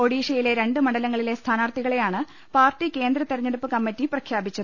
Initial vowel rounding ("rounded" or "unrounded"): rounded